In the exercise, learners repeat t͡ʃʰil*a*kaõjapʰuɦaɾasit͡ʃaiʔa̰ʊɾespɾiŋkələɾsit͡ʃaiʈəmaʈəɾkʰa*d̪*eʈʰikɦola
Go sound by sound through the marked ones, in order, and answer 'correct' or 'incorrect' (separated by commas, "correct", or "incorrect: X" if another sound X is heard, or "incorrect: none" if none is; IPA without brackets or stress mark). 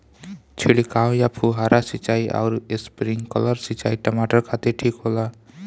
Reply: incorrect: i, incorrect: t̪